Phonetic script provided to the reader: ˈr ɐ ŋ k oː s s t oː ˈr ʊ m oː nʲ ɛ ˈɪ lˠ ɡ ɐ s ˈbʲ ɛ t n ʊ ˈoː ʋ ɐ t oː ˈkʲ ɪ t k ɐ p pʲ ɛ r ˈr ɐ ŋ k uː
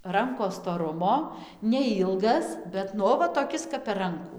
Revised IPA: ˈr ɐ ŋ k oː s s t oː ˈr ʊ m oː nʲ ɛ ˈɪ lˠ ɡ ɐ s ˈbʲ ɛ t n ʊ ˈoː ʋ ɐ t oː ˈkʲ ɪ s k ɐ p pʲ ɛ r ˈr ɐ ŋ k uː